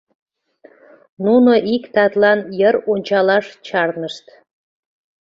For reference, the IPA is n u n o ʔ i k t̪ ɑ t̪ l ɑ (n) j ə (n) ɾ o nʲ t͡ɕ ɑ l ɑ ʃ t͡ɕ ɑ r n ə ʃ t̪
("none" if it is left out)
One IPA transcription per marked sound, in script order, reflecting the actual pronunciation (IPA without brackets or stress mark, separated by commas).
n, none